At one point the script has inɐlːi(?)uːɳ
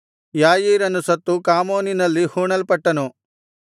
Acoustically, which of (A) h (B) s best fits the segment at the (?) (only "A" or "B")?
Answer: A